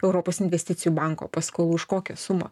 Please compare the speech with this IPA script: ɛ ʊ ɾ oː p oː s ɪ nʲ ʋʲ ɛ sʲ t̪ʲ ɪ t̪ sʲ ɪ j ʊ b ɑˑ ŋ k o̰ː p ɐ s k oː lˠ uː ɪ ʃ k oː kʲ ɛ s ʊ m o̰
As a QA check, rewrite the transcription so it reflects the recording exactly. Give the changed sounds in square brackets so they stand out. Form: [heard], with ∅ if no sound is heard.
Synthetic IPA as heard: ɛ ʊ ɾ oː p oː s ɪ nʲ ʋʲ ɛ sʲ t̪ʲ ɪ t̪ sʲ ɪ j [u] b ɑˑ ŋ k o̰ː p ɐ s k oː lˠ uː ɪ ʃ k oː kʲ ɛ s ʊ m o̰

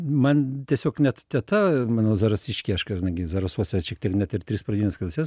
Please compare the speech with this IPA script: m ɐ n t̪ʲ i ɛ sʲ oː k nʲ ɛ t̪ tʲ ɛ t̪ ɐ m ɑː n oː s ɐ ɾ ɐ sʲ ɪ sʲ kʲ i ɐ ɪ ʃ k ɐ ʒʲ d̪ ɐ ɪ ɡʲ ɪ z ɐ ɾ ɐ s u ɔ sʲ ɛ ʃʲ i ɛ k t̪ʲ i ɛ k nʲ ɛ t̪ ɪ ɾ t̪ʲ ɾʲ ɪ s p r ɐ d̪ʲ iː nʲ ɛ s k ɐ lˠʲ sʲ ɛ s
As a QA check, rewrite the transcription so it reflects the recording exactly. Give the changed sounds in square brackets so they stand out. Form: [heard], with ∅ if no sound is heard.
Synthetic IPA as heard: m ɐ n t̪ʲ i ɛ sʲ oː k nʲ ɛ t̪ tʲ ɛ t̪ ɐ m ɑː n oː [z] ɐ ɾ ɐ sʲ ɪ [ʃʲ] kʲ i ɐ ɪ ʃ k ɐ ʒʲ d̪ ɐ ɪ ɡʲ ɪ z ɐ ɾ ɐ s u ɔ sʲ ɛ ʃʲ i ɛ k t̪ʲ i ɛ k nʲ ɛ t̪ ɪ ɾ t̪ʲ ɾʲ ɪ s p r ɐ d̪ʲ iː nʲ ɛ s k ɐ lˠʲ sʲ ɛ s

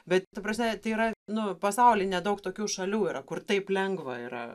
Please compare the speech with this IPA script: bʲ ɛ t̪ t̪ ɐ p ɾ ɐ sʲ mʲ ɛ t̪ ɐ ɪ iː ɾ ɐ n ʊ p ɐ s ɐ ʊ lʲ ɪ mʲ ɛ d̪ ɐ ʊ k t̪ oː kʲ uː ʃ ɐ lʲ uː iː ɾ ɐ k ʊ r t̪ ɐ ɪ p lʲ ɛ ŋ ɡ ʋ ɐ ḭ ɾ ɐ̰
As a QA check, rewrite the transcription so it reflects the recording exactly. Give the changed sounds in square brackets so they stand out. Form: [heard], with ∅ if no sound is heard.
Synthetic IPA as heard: bʲ ɛ t̪ t̪ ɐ p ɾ ɐ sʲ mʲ ɛ t̪ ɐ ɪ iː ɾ ɐ n ʊ p ɐ s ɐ ʊ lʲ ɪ [nʲ] ɛ d̪ ɐ ʊ k t̪ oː kʲ uː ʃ ɐ lʲ uː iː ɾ ɐ k ʊ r t̪ ɐ ɪ p lʲ ɛ ŋ ɡ ʋ ɐ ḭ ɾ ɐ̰

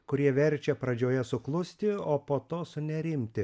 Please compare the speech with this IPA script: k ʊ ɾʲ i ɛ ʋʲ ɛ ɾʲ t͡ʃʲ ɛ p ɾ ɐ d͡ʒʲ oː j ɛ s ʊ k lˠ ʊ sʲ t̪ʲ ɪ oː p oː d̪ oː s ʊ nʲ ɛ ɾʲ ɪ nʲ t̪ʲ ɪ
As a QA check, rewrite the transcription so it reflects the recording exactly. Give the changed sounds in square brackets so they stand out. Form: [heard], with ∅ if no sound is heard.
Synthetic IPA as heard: k ʊ ɾʲ i ɛ ʋʲ ɛ ɾʲ t͡ʃʲ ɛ p ɾ ɐ d͡ʒʲ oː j ɛ s ʊ k lˠ ʊ sʲ t̪ʲ ɪ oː p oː [t̪] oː s ʊ nʲ ɛ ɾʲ ɪ [mʲ] t̪ʲ ɪ

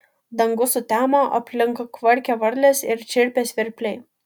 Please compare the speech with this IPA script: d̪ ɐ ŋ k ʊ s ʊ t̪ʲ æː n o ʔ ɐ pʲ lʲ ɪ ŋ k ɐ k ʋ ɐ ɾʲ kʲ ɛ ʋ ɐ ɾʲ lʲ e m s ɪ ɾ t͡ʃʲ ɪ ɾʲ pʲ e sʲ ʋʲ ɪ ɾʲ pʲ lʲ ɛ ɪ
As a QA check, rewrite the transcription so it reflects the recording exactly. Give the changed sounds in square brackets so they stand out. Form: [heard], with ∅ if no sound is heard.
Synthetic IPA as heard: d̪ ɐ ŋ [ɡ] ʊ s ʊ t̪ʲ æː [m] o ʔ ɐ pʲ lʲ ɪ ŋ k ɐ k ʋ ɐ ɾʲ kʲ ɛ ʋ ɐ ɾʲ lʲ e [∅] s ɪ ɾ t͡ʃʲ ɪ ɾʲ pʲ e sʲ ʋʲ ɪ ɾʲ pʲ lʲ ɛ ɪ

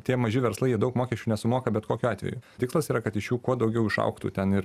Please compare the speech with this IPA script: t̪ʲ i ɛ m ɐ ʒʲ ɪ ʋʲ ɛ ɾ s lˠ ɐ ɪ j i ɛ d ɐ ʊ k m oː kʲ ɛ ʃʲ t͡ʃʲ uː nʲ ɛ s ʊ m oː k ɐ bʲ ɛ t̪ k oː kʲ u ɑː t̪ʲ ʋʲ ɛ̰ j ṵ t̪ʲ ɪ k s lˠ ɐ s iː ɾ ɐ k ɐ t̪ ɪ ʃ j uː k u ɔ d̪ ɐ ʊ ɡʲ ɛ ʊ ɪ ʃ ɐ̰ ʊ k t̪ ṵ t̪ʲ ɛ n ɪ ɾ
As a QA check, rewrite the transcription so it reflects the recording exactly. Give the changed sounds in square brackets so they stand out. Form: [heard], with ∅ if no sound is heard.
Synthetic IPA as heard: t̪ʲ i ɛ m ɐ ʒʲ ɪ ʋʲ ɛ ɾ s lˠ ɐ ɪ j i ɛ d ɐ ʊ k m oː kʲ ɛ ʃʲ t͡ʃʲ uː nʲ ɛ s ʊ m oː k ɐ bʲ ɛ t̪ k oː kʲ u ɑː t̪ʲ ʋʲ ɛ̰ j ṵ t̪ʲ ɪ k s lˠ ɐ s iː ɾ ɐ k ɐ t̪ ɪ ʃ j uː k u ɔ d̪ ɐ ʊ ɡʲ ɛ ʊ ɪ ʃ ɐ̰ ʊ k t̪ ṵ t̪ʲ ɛ n ɪ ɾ

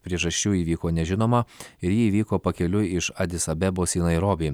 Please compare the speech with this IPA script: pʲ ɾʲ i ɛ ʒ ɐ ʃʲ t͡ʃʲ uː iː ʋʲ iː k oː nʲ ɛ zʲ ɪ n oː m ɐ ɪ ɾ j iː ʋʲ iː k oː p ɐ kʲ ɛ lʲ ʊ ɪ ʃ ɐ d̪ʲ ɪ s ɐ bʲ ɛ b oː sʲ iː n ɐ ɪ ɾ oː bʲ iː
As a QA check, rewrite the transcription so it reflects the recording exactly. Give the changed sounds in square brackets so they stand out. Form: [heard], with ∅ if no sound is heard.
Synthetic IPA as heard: pʲ ɾʲ i ɛ ʒ ɐ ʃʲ t͡ʃʲ uː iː ʋʲ iː k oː nʲ ɛ [ʒʲ] ɪ n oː m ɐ ɪ ɾ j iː ʋʲ iː k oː p ɐ kʲ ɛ lʲ ʊ ɪ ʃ ɐ d̪ʲ ɪ s ɐ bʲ ɛ b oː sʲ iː n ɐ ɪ ɾ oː bʲ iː

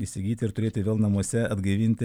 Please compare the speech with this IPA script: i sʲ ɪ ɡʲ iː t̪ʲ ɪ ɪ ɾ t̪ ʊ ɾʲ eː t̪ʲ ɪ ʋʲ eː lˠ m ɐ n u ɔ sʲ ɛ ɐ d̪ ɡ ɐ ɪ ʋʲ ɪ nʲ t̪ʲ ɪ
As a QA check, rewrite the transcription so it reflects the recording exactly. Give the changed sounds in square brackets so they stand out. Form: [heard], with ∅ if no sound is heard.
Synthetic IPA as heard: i sʲ ɪ ɡʲ iː t̪ʲ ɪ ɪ ɾ t̪ ʊ ɾʲ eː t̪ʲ ɪ ʋʲ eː lˠ [n] ɐ [m] u ɔ sʲ ɛ ɐ d̪ ɡ ɐ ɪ ʋʲ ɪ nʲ t̪ʲ ɪ

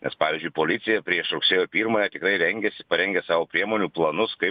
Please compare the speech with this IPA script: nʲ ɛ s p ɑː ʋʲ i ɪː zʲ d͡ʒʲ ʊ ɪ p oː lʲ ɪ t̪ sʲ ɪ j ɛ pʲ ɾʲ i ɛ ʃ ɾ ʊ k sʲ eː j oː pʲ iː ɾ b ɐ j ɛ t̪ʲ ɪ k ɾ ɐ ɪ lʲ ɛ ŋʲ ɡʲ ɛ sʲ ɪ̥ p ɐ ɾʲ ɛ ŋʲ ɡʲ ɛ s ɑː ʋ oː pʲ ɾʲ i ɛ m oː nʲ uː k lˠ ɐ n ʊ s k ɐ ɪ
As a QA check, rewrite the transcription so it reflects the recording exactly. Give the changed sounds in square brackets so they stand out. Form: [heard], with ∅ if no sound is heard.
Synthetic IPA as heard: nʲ ɛ s p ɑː ʋʲ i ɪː zʲ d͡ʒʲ ʊ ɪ p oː lʲ ɪ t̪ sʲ ɪ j ɛ pʲ ɾʲ i ɛ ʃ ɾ ʊ k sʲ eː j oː pʲ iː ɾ [m] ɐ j ɛ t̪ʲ ɪ k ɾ ɐ ɪ [ɾʲ] ɛ ŋʲ ɡʲ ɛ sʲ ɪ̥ p ɐ ɾʲ ɛ ŋʲ ɡʲ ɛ s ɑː ʋ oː pʲ ɾʲ i ɛ m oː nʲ uː [p] lˠ ɐ n ʊ s k ɐ ɪ

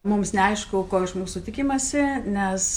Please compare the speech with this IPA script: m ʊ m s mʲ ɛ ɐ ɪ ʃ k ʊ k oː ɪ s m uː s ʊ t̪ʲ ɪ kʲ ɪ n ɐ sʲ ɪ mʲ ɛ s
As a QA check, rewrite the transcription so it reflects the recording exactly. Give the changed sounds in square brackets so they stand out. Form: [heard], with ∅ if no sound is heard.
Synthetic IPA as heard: m ʊ m s [nʲ] ɛ ɐ ɪ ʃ k ʊ k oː ɪ [ʃ] m uː s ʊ t̪ʲ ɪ kʲ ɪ [m] ɐ sʲ ɪ [nʲ] ɛ s

